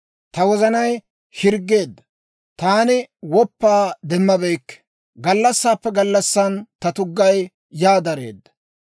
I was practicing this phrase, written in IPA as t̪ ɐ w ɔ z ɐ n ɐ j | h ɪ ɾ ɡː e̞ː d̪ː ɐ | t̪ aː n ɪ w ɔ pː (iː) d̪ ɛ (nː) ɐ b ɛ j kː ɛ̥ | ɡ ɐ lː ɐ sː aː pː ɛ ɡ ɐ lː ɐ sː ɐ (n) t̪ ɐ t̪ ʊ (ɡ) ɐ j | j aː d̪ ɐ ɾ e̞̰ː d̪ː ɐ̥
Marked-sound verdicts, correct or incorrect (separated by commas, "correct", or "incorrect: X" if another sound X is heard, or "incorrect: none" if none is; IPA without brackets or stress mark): incorrect: aː, incorrect: mː, correct, incorrect: ɡː